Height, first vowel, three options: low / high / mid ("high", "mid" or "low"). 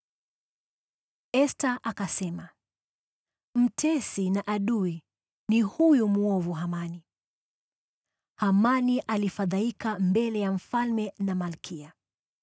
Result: mid